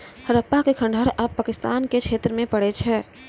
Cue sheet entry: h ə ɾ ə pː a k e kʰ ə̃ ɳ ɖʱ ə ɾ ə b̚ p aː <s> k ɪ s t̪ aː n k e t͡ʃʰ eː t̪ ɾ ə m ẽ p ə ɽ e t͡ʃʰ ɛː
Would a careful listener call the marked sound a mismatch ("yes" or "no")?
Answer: yes